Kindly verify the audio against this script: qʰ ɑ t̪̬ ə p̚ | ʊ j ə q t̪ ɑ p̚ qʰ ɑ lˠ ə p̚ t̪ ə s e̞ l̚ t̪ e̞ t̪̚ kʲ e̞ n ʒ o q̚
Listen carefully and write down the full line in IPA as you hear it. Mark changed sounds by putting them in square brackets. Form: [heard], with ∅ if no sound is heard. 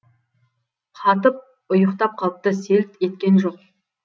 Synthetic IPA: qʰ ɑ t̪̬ ə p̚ | ʊ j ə q t̪ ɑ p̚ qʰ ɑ lˠ ə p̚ t̪ ə s e̞ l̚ t̪ e̞ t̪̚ kʲ e̞ n ʒ o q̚